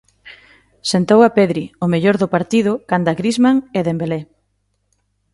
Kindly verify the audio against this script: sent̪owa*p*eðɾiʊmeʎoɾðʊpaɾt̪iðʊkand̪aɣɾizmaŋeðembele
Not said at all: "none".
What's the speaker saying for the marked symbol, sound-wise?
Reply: p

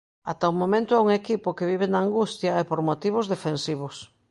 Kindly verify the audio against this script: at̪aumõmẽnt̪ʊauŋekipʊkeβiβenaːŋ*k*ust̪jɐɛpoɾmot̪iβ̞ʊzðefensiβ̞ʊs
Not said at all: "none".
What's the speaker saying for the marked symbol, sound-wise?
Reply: ɡ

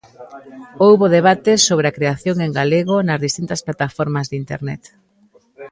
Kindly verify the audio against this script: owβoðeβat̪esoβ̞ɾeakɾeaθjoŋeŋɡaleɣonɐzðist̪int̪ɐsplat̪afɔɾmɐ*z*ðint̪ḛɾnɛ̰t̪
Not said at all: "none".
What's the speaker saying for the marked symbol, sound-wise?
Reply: z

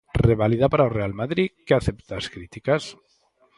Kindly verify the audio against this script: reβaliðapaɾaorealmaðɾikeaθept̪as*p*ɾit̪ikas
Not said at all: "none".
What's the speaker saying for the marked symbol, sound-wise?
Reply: k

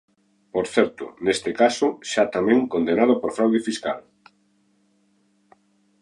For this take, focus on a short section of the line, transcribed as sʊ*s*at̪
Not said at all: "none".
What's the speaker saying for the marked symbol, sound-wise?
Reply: ʃ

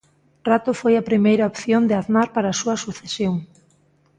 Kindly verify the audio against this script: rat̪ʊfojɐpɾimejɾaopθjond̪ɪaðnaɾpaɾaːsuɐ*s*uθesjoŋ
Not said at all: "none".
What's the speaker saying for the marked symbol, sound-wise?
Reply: s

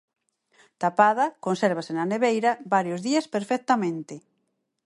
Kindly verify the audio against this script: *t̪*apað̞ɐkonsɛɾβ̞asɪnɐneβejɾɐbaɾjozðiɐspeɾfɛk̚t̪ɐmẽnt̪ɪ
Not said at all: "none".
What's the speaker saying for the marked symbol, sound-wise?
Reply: t̪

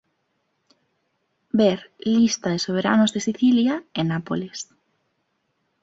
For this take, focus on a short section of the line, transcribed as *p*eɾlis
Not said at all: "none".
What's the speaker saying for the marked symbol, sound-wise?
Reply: b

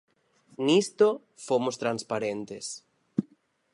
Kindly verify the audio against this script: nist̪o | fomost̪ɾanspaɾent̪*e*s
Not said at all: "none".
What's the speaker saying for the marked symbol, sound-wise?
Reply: e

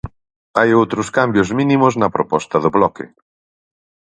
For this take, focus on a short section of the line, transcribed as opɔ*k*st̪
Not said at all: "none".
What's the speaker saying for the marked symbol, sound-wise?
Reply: none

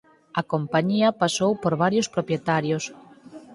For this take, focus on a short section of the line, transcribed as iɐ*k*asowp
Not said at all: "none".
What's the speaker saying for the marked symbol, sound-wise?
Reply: p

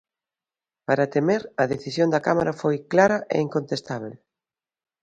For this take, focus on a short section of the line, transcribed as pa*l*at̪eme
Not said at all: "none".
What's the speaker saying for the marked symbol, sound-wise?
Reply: ɾ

